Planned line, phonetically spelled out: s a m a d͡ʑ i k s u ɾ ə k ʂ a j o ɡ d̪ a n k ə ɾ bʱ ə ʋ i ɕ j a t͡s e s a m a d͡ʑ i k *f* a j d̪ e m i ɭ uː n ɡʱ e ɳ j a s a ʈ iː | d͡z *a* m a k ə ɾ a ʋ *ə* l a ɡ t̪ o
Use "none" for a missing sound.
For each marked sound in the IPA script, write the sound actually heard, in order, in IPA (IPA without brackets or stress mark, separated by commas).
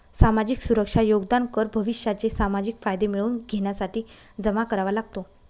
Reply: f, ə, a